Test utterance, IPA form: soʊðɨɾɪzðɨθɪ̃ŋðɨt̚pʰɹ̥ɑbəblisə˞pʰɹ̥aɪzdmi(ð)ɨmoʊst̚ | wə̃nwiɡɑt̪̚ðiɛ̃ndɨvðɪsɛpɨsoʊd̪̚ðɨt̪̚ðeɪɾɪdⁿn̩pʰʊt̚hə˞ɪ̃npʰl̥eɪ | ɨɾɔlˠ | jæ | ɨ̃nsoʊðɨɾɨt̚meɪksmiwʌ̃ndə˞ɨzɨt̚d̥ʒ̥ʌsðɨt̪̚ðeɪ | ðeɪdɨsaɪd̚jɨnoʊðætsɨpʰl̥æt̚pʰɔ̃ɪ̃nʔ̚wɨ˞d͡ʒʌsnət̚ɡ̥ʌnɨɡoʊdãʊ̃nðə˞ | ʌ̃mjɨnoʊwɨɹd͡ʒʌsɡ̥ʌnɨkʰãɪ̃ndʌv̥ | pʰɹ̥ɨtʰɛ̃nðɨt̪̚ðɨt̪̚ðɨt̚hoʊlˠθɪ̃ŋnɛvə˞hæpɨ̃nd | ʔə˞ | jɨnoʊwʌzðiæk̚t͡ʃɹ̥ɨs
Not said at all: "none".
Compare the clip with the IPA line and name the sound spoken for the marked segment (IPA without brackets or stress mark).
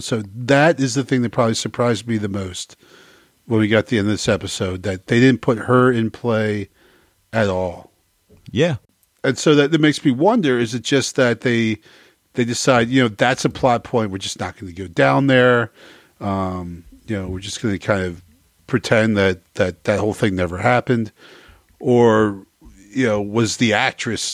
ð